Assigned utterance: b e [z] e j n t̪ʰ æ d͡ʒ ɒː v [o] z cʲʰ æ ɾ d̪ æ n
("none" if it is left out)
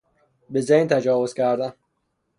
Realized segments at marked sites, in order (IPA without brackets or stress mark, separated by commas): z, o